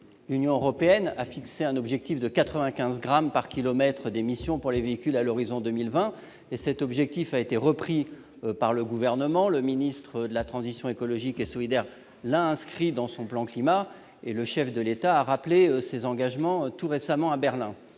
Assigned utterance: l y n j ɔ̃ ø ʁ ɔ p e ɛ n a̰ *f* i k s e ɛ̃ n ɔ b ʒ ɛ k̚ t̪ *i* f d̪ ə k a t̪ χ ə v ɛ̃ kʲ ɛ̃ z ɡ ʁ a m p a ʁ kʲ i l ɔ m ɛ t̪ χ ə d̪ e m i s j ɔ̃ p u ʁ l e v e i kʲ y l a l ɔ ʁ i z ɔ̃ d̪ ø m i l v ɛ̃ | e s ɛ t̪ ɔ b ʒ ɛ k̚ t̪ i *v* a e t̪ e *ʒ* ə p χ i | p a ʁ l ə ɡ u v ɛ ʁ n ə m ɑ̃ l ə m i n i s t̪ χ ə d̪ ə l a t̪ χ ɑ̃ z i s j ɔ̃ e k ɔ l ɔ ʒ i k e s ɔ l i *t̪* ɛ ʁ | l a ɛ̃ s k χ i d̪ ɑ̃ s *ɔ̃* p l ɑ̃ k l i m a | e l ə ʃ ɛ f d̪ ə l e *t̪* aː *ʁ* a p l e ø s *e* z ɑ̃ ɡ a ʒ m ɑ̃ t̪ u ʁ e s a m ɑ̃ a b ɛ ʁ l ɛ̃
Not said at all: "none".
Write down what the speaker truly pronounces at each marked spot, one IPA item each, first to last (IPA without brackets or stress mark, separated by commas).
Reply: f, i, f, ʁ, d̪, ɔ̃, t̪, ʁ, e